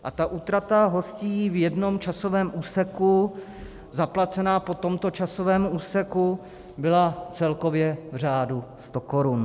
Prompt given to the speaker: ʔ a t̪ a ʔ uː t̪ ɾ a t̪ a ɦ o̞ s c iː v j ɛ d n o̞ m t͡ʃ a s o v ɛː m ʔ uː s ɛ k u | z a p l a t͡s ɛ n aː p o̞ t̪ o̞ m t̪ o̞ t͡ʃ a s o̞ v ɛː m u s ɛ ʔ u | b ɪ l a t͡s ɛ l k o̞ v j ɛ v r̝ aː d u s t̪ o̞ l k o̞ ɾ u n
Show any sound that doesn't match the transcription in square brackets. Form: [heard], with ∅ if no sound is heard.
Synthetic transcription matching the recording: ʔ a t̪ a ʔ uː t̪ ɾ a t̪ a ɦ o̞ s c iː v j ɛ d n o̞ m t͡ʃ a s o v ɛː m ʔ uː s ɛ k u | z a p l a t͡s ɛ n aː p o̞ t̪ o̞ m t̪ o̞ t͡ʃ a s o̞ v ɛː m [uː] s ɛ [k] u | b ɪ l a t͡s ɛ l k o̞ v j ɛ v r̝ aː d u s t̪ o̞ [∅] k o̞ ɾ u n